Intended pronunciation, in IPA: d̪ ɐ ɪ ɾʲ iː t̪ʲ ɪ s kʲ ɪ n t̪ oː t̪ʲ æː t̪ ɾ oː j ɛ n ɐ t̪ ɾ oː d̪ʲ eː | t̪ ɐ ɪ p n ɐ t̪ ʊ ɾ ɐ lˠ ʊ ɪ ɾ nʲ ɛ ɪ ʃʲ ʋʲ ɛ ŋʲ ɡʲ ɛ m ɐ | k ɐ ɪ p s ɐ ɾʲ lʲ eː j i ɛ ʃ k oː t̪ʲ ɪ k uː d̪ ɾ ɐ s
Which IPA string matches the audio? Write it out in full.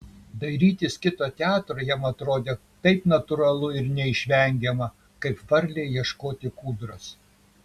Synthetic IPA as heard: d̪ ɐ ɪ ɾʲ iː t̪ʲ ɪ s kʲ ɪ t̪ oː t̪ʲ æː t̪ ɾ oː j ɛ m ɐ t̪ ɾ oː d̪ʲ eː | t̪ ɐ ɪ p n ɐ t̪ ʊ ɾ ɐ lˠ ʊ ɪ ɾ nʲ ɛ ɪ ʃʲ ʋʲ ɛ ŋʲ ɡʲ ɛ m ɐ | k ɐ ɪ p f ɐ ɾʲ lʲ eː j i ɛ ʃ k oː t̪ʲ ɪ k uː d̪ ɾ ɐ s